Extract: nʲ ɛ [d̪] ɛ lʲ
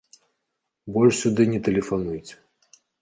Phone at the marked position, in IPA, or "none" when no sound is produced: t̪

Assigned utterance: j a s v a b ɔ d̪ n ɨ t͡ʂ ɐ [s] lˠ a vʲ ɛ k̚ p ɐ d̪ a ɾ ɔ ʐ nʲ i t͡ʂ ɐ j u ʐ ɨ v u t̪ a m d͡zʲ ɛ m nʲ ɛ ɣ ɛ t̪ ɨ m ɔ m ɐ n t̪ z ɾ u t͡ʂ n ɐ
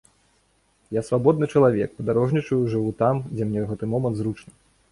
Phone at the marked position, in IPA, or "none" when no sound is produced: none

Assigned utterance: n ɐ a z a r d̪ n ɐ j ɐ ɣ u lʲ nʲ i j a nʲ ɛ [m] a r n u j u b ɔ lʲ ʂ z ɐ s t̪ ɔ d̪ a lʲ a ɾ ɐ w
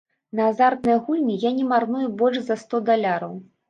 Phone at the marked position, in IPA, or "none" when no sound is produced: m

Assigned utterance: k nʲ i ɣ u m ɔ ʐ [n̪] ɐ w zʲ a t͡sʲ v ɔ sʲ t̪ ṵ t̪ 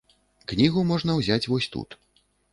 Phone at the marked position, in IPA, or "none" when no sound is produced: n̪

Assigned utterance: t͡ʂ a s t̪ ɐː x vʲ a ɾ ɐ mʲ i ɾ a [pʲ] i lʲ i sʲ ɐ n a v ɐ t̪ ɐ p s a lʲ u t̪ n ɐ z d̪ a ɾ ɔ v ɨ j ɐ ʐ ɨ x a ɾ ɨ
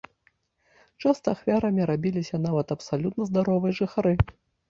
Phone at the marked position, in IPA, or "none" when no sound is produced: bʲ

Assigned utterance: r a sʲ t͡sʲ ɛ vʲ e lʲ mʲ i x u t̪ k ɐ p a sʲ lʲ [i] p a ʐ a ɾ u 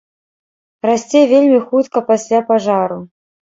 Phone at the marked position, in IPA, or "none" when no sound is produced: a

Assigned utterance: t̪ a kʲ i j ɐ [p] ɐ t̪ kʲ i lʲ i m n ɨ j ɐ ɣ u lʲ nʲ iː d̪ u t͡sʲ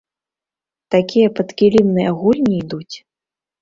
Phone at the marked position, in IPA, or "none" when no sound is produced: p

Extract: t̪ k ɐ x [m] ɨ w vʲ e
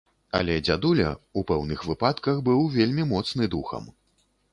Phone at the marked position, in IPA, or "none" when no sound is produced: b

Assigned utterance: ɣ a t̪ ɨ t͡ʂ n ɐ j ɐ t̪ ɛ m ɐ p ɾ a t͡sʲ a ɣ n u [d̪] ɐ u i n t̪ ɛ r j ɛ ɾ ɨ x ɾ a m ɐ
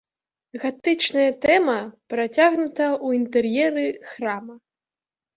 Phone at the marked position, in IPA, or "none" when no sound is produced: t̪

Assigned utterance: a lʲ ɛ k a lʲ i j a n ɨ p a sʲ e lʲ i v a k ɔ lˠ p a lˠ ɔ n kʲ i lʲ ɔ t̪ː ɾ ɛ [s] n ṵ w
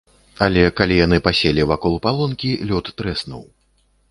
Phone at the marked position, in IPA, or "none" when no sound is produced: s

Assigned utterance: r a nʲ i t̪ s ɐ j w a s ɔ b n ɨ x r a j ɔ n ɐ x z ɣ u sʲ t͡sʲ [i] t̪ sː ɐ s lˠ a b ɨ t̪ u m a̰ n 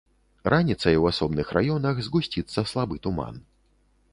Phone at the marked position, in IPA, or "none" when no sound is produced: i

